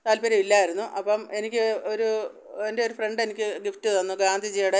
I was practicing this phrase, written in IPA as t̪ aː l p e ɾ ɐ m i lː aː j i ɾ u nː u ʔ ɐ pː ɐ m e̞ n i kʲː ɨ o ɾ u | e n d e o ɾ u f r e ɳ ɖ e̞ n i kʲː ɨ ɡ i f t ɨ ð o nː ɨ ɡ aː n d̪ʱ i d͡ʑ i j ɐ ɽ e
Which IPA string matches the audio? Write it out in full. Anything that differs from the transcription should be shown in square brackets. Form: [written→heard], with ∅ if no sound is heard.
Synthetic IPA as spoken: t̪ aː l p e ɾ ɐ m i lː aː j i ɾ u nː u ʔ ɐ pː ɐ m e̞ n i kʲː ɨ o ɾ u | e n d e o ɾ u f r e ɳ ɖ e̞ n i kʲː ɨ ɡ i f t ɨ ð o nː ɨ ɡ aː n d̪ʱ i d͡ʑ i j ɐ ɽ e

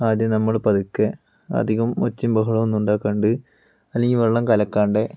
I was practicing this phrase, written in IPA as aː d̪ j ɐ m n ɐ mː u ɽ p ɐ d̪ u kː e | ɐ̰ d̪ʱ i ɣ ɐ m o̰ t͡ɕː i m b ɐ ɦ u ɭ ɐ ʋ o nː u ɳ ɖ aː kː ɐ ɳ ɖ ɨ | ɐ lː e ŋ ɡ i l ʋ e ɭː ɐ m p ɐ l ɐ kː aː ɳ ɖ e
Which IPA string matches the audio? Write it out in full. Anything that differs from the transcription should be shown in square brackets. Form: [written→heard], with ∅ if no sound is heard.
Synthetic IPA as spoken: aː d̪ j ɐ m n ɐ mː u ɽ p ɐ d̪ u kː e | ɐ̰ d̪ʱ i ɣ ɐ m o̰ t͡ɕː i m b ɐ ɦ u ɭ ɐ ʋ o nː u ɳ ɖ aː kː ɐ ɳ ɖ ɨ | ɐ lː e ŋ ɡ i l ʋ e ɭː ɐ m [p→k] ɐ l ɐ kː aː ɳ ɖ e

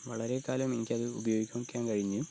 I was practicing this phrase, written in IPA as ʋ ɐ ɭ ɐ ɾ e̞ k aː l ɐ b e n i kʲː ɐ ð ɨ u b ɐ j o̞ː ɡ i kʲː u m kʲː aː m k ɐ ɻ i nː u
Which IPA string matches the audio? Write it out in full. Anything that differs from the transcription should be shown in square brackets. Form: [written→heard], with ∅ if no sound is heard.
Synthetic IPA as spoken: ʋ ɐ ɭ ɐ ɾ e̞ k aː l ɐ [b→m] e n i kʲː ɐ ð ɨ u b ɐ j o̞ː ɡ i kʲː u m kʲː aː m k ɐ ɻ i [nː→ɲː] u

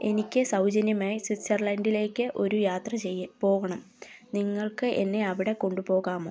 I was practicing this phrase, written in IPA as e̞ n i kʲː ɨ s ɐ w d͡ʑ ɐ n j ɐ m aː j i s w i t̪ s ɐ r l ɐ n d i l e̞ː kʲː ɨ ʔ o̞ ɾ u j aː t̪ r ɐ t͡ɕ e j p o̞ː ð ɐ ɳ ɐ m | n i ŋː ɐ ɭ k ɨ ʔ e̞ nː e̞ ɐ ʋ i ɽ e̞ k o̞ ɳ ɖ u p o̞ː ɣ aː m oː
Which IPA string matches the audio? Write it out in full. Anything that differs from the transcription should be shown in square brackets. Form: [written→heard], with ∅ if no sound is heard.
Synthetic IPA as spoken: e̞ n i kʲː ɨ s ɐ w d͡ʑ ɐ n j ɐ m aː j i s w i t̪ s ɐ r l ɐ n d i l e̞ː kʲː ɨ ʔ o̞ ɾ u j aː t̪ r ɐ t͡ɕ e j p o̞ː [ð→ɣ] ɐ ɳ ɐ m | n i ŋː ɐ ɭ k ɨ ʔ e̞ nː e̞ ɐ ʋ i ɽ e̞ k o̞ ɳ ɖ u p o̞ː ɣ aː m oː

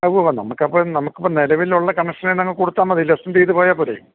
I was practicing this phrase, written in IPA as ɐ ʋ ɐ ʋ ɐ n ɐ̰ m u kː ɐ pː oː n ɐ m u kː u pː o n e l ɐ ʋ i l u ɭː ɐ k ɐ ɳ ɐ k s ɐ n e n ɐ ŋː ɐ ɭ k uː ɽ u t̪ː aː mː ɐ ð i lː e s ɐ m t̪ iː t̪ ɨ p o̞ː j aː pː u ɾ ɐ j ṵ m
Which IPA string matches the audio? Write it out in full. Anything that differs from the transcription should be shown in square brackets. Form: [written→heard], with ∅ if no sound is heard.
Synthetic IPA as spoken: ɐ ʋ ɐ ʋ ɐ n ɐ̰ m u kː ɐ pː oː n ɐ m u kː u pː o n e l ɐ ʋ i l u ɭː ɐ k ɐ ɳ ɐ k [s→ʂ] ɐ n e n ɐ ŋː ɐ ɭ k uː ɽ u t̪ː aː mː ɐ ð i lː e s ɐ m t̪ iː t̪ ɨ p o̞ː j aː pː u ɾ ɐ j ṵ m

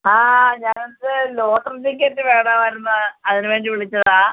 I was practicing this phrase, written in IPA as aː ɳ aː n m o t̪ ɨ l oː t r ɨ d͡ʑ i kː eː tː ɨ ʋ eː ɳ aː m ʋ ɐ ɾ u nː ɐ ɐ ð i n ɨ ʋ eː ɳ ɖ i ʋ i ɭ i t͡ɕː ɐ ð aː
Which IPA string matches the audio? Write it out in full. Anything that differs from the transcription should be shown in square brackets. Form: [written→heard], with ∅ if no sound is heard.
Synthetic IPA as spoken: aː [ɳ→ɲ] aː n [m→n] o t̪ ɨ l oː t r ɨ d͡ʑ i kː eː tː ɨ ʋ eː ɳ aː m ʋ ɐ ɾ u nː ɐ ɐ ð i n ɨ ʋ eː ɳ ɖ i ʋ i ɭ i t͡ɕː ɐ ð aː

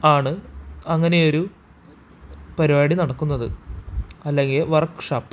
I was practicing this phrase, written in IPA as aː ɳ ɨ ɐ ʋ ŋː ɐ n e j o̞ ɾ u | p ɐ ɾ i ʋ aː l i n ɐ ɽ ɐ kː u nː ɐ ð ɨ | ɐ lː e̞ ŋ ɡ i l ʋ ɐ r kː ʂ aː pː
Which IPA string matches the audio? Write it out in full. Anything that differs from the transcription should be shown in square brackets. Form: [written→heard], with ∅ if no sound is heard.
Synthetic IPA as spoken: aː ɳ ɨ ɐ [ʋ→∅] ŋː ɐ n e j o̞ ɾ u | p ɐ ɾ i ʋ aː [l→ɽ] i n ɐ ɽ ɐ kː u nː ɐ ð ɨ | ɐ lː e̞ ŋ ɡ i l ʋ ɐ r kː ʂ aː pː

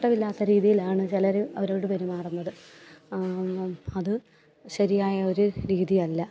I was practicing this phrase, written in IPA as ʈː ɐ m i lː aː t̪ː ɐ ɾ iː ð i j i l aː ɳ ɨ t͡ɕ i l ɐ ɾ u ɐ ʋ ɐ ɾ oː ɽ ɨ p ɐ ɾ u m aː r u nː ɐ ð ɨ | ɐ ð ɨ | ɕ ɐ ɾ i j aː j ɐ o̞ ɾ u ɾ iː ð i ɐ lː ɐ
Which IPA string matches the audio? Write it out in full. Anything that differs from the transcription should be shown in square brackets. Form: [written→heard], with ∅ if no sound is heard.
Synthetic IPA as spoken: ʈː ɐ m i lː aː t̪ː ɐ ɾ iː ð i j i l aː ɳ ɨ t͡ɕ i l ɐ ɾ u ɐ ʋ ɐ ɾ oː ɽ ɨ p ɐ ɾ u m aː r u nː ɐ ð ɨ | ɐ ð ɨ | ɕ ɐ ɾ i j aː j ɐ o̞ ɾ u ɾ iː ð i ɐ lː ɐ

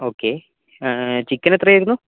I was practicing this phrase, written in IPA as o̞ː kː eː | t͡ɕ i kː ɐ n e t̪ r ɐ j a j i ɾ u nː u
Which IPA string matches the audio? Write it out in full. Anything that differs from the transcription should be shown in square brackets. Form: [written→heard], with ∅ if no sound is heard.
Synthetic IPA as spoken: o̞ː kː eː | t͡ɕ i kː ɐ n e t̪ r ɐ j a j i ɾ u nː u

